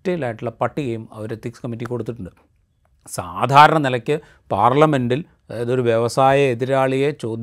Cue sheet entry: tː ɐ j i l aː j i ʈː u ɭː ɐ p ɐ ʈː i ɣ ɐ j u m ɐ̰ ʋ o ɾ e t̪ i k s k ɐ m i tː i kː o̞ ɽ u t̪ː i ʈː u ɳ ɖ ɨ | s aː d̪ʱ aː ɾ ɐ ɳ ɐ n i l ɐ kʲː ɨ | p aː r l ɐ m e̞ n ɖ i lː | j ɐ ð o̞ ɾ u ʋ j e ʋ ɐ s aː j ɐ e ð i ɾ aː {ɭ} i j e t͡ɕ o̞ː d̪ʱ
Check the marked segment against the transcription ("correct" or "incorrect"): correct